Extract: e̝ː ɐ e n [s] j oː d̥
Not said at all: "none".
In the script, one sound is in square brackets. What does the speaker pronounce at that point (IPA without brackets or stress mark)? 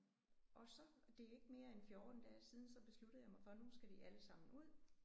f